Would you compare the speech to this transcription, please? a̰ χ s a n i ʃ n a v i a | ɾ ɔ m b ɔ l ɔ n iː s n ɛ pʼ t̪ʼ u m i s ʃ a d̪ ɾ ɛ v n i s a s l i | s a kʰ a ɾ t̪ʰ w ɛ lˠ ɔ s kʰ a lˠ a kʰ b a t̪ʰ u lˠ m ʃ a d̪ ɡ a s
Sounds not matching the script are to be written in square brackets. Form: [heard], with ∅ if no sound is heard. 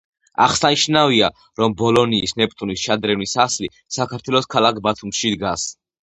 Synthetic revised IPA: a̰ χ s a n i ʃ n a v i a | ɾ ɔ m b ɔ l ɔ n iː s n ɛ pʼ t̪ʼ u [n] i s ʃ a d̪ ɾ ɛ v n i s a s l i | s a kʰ a ɾ t̪ʰ w ɛ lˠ ɔ s kʰ a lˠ a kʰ b a t̪ʰ u [∅] m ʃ [i] d̪ ɡ a s